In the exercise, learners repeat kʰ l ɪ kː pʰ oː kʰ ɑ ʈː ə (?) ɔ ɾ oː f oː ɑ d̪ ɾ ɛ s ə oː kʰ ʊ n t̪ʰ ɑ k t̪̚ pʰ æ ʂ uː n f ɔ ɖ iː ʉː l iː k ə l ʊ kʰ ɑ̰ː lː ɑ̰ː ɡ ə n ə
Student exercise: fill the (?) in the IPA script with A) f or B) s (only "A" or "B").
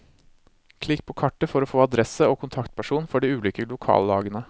A